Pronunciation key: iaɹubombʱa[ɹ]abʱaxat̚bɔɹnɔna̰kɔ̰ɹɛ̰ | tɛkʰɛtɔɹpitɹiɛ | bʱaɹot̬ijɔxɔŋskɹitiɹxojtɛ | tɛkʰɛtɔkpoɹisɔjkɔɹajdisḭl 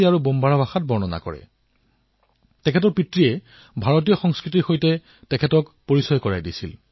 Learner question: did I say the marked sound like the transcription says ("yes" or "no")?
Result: yes